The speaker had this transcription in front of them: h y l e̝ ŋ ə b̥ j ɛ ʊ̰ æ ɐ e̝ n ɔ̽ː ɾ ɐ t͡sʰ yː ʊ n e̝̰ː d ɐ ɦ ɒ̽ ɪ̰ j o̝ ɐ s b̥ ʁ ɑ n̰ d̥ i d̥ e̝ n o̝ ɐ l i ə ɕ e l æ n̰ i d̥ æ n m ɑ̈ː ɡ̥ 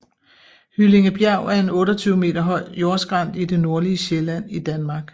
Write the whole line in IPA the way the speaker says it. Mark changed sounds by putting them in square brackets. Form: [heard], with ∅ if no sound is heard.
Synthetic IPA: h y l e̝ ŋ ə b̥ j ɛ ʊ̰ æ ɐ e̝ n ɔ̽ː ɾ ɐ t͡sʰ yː ʊ [m] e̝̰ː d ɐ ɦ ɒ̽ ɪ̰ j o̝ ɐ s [ɡ̥] ʁ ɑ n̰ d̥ i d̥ e̝ n o̝ ɐ l i ə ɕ e l æ n̰ i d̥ æ n m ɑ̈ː ɡ̥